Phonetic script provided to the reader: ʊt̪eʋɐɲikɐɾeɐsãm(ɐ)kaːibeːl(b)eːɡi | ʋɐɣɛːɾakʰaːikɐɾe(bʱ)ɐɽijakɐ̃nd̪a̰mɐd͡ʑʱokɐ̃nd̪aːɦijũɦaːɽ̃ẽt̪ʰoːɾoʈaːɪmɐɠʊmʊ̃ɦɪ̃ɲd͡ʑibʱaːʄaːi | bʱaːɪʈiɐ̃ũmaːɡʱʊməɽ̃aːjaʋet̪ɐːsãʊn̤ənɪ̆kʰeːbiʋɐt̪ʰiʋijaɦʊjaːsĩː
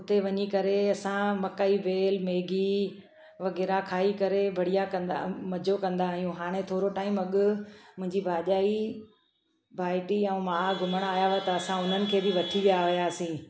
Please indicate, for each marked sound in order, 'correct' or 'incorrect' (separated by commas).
correct, incorrect, correct